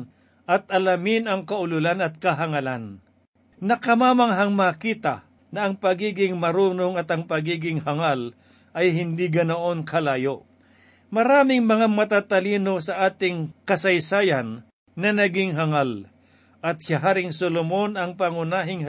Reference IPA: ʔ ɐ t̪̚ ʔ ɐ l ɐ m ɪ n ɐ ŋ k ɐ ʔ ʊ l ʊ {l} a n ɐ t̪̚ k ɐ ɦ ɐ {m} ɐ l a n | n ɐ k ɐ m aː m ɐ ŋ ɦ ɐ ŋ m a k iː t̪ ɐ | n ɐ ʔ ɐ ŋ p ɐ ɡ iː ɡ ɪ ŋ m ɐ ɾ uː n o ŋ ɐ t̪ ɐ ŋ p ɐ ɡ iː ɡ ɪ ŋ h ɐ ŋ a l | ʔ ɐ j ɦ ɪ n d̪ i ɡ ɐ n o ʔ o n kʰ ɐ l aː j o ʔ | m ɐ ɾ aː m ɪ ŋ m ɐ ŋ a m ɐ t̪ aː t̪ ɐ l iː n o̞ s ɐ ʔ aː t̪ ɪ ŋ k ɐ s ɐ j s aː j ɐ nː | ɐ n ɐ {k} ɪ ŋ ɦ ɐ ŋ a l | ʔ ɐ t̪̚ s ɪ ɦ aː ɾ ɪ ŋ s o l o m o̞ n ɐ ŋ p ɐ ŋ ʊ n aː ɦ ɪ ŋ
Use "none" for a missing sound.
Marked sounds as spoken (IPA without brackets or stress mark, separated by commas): l, ŋ, ɡ